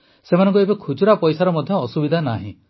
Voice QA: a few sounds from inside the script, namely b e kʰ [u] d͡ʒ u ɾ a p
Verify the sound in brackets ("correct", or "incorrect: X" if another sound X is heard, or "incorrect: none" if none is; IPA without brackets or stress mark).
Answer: correct